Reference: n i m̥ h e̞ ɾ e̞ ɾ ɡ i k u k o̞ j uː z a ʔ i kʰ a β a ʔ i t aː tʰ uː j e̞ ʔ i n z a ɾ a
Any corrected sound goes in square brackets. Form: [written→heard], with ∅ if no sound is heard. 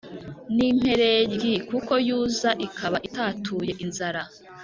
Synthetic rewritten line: n i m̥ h e̞ ɾ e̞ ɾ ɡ i k u k o̞ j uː z a ʔ i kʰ a β a ʔ i t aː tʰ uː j e̞ ʔ i n z a ɾ a